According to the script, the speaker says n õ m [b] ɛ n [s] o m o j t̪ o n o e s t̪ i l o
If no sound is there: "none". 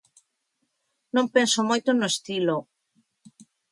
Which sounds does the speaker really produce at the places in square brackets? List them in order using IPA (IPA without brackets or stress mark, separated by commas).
p, s